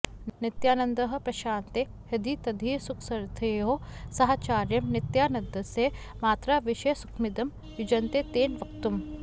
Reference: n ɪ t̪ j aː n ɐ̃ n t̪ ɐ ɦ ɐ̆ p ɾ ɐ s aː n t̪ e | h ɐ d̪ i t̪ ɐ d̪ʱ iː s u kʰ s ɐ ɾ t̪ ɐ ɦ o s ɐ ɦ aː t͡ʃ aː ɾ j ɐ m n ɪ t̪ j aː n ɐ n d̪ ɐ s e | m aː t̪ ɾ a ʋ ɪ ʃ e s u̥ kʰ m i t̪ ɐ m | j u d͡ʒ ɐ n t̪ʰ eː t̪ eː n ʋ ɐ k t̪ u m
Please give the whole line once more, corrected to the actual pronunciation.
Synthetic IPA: n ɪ t̪ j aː n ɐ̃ n d̪ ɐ ɦ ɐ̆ p ɾ ɐ ʃ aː n t̪ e | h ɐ d̪ i t̪ ɐ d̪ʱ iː s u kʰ s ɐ ɾ t̪ʰ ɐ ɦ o s ɐ ɦ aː t͡ʃ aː ɾ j ɐ m n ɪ t̪ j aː n ɐ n d̪ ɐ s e | m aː t̪ ɾ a ʋ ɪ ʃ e s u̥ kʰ m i d̪ ɐ m | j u d͡ʒ ɐ n t̪ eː t̪ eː n ʋ ɐ k t̪ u m

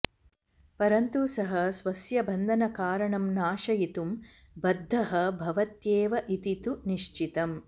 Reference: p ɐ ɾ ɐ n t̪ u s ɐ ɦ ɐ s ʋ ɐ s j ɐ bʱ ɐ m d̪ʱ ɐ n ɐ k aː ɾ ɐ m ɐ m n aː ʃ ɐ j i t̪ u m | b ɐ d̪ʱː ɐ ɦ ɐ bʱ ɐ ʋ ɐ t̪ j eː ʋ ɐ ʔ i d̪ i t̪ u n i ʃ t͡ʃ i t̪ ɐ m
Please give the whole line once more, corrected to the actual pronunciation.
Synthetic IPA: p ɐ ɾ ɐ n t̪ u s ɐ ɦ ɐ s ʋ ɐ s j ɐ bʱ ɐ n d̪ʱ ɐ n ɐ k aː ɾ ɐ ɳ ɐ m n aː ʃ ɐ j i t̪ u m | b ɐ d̪ʱː ɐ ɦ ɐ bʱ ɐ ʋ ɐ t̪ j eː ʋ ɐ ʔ i t̪ i t̪ u n i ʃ t͡ʃ i t̪ ɐ m

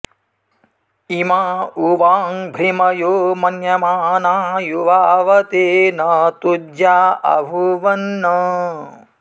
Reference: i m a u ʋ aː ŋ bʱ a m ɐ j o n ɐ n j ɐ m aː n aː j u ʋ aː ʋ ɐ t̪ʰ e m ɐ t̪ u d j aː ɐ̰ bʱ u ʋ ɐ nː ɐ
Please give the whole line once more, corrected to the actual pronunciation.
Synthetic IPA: i m a u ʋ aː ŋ bʱ i m ɐ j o m ɐ n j ɐ m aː n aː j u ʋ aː ʋ ɐ t̪ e n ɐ t̪ u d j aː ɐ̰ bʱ u ʋ ɐ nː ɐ

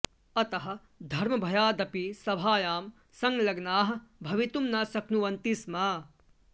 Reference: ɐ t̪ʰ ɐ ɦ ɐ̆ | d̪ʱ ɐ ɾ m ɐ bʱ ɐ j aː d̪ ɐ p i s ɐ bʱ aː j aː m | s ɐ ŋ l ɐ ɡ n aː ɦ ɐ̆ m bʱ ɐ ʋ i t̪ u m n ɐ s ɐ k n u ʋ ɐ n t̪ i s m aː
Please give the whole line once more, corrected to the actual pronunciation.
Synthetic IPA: ɐ t̪ ɐ ɦ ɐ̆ | d̪ʱ ɐ ɾ m ɐ bʱ ɐ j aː d̪ ɐ p i s ɐ bʱ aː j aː m | s ɐ ŋ l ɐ ɡ n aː ɦ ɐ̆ bʱ ɐ ʋ i t̪ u m n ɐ s ɐ k n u ʋ ɐ n t̪ i s m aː

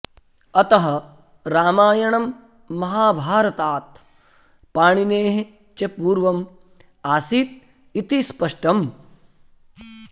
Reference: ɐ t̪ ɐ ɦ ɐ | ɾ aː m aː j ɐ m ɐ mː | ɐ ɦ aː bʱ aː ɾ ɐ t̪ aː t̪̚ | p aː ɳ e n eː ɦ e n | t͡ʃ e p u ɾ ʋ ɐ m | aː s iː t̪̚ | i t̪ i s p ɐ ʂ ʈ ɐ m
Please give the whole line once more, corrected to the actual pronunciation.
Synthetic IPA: ɐ t̪ ɐ ɦ ɐ | ɾ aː m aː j ɐ ɳ ɐ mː | ɐ ɦ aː bʱ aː ɾ ɐ t̪ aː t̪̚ | p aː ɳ i n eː ɦ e | t͡ʃ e p uː ɾ ʋ ɐ m | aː s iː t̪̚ | i t̪ i s p ɐ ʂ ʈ ɐ m

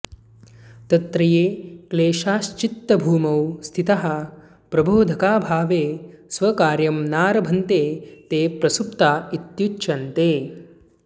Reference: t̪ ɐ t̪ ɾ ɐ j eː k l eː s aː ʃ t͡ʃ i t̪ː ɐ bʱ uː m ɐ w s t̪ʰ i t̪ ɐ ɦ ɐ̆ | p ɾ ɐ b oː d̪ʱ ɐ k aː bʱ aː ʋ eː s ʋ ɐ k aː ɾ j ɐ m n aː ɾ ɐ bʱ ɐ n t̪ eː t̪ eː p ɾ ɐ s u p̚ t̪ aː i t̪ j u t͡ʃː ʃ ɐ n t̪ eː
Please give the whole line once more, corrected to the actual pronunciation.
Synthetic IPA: t̪ ɐ t̪ ɾ ɐ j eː k l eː ʃ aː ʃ t͡ʃ i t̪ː ɐ bʱ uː m ɐ w s t̪ʰ i t̪ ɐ ɦ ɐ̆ | p ɾ ɐ b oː d̪ʱ ɐ k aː bʱ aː ʋ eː s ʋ ɐ k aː ɾ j ɐ m n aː ɾ ɐ bʱ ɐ n t̪ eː t̪ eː p ɾ ɐ s u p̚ t̪ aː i t̪ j u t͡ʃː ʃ ɐ n t̪ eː

